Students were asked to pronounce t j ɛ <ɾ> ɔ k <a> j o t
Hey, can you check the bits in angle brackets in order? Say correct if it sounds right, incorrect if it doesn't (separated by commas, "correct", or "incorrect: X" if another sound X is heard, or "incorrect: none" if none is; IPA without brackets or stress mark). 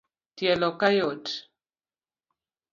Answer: incorrect: l, correct